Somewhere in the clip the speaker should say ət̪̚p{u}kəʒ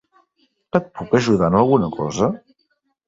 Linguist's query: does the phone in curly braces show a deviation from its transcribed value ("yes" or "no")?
no